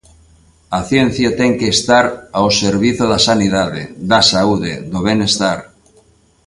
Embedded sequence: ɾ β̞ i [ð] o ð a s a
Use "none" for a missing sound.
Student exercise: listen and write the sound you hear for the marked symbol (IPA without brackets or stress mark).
θ